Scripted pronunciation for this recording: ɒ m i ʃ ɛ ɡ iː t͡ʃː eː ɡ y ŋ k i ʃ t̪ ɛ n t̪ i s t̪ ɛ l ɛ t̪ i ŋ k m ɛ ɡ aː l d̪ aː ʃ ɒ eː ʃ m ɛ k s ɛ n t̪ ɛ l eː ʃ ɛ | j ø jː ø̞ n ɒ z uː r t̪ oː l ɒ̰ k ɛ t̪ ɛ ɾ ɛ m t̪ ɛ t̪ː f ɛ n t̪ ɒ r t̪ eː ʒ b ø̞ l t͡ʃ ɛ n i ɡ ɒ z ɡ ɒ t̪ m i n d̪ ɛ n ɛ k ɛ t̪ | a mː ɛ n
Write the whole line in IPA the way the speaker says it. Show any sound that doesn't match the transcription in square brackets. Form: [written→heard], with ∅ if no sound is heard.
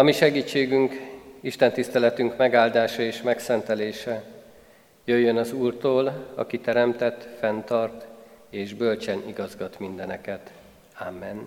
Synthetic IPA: ɒ m i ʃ ɛ ɡ iː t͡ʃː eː ɡ y ŋ k i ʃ t̪ ɛ n t̪ i s t̪ ɛ l ɛ t̪ [i→y] ŋ k m ɛ ɡ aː l d̪ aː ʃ ɒ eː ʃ m ɛ k s ɛ n t̪ ɛ l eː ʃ ɛ | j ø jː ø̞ n ɒ z uː r t̪ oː l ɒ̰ k [ɛ→i] t̪ ɛ ɾ ɛ m t̪ ɛ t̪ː f ɛ n t̪ ɒ r t̪ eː ʒ b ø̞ l t͡ʃ ɛ n i ɡ ɒ z ɡ ɒ t̪ m i n d̪ ɛ n ɛ k ɛ t̪ | a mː ɛ n